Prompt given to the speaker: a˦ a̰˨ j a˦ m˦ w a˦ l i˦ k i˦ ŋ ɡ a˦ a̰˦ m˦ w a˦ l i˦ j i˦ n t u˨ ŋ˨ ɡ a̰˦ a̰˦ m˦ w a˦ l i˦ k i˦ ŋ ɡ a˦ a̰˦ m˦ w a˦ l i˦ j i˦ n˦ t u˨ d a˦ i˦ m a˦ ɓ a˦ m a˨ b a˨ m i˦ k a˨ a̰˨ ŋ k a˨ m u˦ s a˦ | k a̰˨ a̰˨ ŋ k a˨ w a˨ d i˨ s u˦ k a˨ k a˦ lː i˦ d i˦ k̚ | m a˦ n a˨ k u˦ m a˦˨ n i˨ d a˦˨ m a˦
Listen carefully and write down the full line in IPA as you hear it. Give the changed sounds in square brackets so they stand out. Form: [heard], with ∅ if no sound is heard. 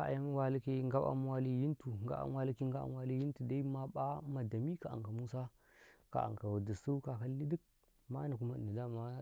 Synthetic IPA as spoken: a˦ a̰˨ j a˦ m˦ w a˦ l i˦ k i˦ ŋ ɡ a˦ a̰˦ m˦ w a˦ l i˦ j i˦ n t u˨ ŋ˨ ɡ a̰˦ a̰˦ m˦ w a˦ l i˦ k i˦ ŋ ɡ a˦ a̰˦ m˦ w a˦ l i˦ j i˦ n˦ t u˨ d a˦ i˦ m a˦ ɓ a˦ m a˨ [d] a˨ m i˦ k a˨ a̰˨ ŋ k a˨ m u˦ s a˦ | k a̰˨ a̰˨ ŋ k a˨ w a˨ d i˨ s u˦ k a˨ k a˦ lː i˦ d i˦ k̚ | m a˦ n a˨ k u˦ m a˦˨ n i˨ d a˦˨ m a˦